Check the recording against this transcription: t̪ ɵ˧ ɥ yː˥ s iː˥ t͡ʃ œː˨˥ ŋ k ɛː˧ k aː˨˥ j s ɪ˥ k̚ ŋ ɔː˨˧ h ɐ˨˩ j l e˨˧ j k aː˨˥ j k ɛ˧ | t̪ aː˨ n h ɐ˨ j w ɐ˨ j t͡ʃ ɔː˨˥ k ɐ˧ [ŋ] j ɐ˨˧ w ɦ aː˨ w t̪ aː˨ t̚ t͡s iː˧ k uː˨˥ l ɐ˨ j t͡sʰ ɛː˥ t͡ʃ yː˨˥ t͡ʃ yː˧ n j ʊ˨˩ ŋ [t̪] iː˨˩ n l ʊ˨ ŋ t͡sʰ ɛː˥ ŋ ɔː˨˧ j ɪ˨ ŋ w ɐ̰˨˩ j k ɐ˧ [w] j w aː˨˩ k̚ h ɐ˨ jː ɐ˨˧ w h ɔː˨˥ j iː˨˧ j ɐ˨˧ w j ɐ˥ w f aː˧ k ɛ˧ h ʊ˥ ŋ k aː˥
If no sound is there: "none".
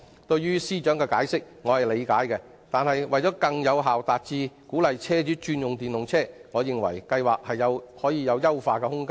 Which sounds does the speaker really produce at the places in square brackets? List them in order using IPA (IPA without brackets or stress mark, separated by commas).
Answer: ŋ, t̪, none